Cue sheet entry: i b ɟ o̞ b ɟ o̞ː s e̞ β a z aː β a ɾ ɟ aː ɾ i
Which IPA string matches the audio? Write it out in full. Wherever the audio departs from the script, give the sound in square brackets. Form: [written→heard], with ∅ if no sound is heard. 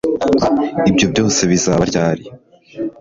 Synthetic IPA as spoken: i b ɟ o̞ b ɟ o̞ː s e̞ β [a→i] z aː β a ɾ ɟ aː ɾ i